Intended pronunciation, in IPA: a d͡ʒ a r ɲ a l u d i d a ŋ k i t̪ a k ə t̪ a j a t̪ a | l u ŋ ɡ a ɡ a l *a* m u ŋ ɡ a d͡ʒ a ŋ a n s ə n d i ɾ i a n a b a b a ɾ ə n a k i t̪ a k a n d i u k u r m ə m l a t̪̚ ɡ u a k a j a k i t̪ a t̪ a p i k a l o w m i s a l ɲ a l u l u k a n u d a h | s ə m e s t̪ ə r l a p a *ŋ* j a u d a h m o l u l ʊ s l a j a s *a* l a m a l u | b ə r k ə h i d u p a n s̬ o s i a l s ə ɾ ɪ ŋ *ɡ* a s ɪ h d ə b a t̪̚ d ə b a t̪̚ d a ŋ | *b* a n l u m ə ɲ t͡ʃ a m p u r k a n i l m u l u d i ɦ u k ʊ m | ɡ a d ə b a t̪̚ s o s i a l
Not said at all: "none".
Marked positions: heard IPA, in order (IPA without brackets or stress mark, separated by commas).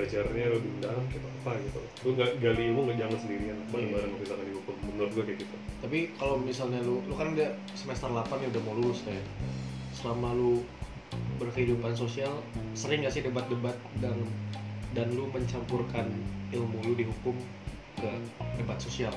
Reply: i, n, ə, ɡ, d